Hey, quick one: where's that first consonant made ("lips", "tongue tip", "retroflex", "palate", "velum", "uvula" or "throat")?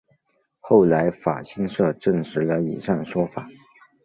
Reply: velum